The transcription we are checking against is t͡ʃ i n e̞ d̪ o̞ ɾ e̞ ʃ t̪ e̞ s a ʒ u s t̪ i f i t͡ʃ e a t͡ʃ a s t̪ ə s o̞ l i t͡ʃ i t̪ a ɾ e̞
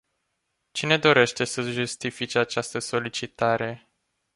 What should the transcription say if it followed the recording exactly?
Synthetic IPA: t͡ʃ i n e̞ d̪ o̞ ɾ e̞ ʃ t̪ e̞ s ə ʒ u s t̪ i f i t͡ʃ e a t͡ʃ a s t̪ ə s o̞ l i t͡ʃ i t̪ a ɾ e̞